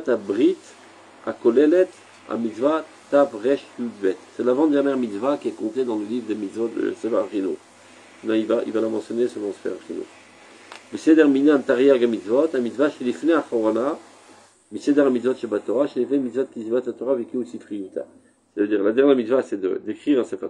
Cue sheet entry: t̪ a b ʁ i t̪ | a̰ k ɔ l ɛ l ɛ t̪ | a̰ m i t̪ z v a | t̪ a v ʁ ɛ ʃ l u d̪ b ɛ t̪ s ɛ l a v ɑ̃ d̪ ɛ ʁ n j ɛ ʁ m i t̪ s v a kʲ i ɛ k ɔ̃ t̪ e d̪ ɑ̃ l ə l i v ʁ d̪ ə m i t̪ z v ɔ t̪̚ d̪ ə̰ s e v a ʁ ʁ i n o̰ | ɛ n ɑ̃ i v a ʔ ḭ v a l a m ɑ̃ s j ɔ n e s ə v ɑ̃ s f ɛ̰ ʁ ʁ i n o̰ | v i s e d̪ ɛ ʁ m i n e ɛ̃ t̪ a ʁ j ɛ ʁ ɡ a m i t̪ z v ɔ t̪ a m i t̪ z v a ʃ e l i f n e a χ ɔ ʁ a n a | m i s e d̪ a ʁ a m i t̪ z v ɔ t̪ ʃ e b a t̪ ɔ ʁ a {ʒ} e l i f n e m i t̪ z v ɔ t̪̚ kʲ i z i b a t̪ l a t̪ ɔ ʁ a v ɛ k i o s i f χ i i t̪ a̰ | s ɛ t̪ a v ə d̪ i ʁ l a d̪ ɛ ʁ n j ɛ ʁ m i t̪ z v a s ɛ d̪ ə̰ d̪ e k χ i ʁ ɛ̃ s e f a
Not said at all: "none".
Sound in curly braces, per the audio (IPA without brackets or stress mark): ʃ